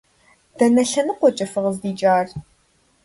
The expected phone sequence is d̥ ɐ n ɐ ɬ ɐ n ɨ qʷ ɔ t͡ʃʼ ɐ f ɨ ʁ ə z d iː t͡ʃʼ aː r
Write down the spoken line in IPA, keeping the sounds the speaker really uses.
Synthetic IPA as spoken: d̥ ɐ n ɐ ɬ ɐ n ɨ qʷ ɔ t͡ʃʼ ɐ f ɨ ʁ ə z d iː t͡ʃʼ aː r